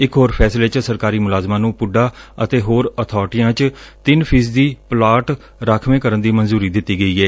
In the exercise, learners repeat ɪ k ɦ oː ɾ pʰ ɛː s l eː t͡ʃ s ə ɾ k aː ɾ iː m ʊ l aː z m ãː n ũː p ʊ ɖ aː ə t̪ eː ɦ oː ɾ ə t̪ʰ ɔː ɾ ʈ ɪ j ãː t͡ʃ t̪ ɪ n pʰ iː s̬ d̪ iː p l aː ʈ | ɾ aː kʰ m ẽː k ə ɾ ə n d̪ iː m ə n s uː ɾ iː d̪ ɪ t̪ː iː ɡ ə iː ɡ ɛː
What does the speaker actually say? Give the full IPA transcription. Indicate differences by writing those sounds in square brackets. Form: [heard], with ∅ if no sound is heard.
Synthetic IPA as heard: ɪ k ɦ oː ɾ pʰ ɛː s l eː t͡ʃ s ə ɾ k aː ɾ iː m ʊ l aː z m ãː n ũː p ʊ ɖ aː ə t̪ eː ɦ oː ɾ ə t̪ʰ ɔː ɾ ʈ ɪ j ãː t͡ʃ t̪ ɪ n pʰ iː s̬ d̪ iː p l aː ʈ | ɾ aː kʰ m ẽː k ə ɾ ə n d̪ iː m ə n [z] uː ɾ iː d̪ ɪ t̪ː iː ɡ ə iː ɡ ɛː